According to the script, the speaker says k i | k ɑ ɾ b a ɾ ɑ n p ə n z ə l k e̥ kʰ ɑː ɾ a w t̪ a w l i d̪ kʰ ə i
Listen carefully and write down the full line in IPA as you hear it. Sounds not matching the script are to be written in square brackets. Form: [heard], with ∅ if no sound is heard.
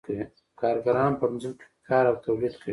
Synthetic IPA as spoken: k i | k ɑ ɾ [ɡ] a ɾ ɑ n p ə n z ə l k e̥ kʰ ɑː ɾ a w t̪ a w l i d̪ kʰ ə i